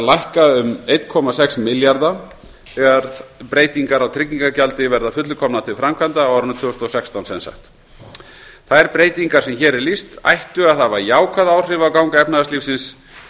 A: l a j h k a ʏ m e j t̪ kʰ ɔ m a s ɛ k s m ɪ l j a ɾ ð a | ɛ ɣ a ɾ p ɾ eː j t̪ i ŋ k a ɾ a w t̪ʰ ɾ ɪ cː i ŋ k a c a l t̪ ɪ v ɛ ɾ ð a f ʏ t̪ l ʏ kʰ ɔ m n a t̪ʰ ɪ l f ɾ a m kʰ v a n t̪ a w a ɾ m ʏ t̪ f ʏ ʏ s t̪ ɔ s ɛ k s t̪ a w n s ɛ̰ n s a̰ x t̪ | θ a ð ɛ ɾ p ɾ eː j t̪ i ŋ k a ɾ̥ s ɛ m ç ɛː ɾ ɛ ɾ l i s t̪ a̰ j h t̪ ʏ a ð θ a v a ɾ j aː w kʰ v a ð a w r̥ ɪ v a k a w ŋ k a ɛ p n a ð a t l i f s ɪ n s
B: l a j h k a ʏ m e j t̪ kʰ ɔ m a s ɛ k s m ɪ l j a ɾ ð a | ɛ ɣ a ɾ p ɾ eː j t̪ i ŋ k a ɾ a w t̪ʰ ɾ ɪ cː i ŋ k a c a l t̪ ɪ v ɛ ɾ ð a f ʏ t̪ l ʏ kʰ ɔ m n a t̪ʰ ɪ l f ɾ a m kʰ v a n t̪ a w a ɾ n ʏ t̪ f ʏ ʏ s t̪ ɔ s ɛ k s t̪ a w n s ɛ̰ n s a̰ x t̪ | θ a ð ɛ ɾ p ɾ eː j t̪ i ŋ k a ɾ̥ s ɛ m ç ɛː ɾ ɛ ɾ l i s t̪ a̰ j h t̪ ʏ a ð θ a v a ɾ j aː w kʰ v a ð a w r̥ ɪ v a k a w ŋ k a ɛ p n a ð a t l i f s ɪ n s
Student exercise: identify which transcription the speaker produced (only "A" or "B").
B